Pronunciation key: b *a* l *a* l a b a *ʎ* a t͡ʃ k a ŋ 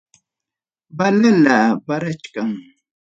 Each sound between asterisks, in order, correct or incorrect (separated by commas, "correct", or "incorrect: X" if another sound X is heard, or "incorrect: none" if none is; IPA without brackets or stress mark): correct, correct, incorrect: ɾ